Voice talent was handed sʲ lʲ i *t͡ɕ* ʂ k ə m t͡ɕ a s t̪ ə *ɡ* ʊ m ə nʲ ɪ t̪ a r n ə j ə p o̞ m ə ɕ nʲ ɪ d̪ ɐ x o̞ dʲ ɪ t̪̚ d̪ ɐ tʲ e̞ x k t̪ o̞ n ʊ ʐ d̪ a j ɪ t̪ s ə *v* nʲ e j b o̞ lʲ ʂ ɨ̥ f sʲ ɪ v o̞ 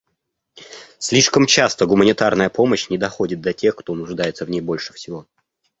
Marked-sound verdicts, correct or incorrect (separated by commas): incorrect, correct, correct